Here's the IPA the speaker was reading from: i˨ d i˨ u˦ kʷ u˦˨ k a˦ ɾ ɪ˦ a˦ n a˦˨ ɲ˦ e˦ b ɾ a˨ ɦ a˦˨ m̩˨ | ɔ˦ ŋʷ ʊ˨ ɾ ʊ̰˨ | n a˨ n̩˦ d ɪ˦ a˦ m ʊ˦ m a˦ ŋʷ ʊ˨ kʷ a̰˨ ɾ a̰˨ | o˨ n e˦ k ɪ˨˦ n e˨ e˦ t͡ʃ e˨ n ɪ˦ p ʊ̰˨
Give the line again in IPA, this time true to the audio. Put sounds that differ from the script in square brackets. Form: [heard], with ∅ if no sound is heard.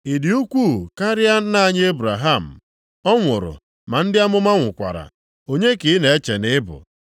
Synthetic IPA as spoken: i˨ d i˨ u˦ kʷ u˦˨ k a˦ ɾ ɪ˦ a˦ n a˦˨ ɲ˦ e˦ b ɾ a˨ ɦ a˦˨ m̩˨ | ɔ˦ ŋʷ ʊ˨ ɾ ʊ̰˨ | [m] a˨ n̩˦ d ɪ˦ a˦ m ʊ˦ m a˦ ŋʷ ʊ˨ kʷ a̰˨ ɾ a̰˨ | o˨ [ɲ] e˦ k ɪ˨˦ n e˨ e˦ t͡ʃ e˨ n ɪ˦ [b] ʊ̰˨